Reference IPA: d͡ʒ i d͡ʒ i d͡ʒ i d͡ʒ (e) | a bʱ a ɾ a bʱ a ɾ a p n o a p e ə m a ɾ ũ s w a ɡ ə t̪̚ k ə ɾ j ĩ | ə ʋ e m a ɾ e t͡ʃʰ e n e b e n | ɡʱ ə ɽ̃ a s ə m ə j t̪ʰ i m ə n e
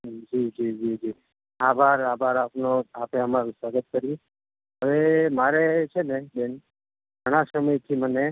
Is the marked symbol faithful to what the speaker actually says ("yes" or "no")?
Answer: no